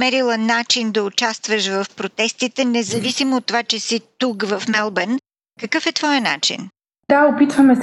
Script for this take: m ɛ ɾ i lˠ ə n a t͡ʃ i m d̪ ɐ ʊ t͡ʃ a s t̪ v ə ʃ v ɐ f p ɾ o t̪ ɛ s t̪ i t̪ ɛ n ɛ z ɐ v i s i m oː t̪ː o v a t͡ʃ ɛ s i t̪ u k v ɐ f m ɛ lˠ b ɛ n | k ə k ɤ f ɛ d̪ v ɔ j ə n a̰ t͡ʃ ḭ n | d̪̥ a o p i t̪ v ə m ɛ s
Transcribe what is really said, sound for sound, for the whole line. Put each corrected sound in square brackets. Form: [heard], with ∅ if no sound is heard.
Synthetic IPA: m ɛ ɾ i lˠ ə n a t͡ʃ i [n] d̪ ɐ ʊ t͡ʃ a s t̪ v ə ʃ v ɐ f p ɾ o t̪ ɛ s t̪ i t̪ ɛ n ɛ z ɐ v i s i m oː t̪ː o v a t͡ʃ ɛ s i t̪ u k v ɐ f m ɛ lˠ b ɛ n | k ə k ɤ f ɛ [t̪] v ɔ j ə n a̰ t͡ʃ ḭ n | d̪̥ a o p i t̪ v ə m ɛ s